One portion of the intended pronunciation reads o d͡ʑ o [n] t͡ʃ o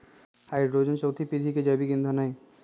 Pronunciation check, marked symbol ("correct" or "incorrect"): correct